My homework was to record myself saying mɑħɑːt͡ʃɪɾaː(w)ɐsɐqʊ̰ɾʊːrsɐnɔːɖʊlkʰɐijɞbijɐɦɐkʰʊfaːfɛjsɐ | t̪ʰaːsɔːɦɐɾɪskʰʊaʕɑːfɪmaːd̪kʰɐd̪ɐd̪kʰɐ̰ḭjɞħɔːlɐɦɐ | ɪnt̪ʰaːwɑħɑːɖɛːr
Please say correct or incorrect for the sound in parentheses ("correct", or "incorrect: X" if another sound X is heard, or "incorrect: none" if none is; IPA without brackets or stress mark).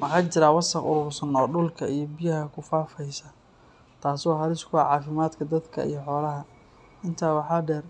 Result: correct